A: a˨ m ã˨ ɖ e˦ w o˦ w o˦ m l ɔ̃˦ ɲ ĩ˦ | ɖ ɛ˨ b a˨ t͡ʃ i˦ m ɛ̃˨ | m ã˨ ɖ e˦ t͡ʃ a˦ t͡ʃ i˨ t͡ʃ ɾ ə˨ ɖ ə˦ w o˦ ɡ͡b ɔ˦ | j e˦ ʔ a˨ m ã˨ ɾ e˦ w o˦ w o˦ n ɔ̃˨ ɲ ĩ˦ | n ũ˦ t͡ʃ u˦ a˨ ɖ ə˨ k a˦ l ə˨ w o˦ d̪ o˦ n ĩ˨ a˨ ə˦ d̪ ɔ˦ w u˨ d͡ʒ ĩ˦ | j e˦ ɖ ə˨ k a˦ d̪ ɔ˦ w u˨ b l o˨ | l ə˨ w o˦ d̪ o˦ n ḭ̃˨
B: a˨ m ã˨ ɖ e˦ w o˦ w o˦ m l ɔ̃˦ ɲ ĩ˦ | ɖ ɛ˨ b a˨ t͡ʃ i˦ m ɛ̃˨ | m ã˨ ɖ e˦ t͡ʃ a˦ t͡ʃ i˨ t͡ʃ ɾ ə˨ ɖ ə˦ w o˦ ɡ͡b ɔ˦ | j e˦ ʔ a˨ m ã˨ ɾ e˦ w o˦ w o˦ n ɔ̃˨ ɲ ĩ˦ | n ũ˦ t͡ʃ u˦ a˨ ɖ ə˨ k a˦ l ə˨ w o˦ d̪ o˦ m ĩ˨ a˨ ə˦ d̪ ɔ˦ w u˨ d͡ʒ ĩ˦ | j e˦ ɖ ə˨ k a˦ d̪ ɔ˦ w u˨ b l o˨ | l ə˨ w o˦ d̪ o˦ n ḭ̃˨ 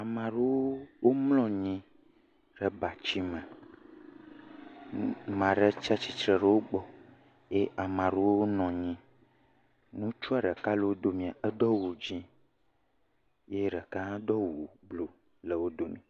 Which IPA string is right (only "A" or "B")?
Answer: B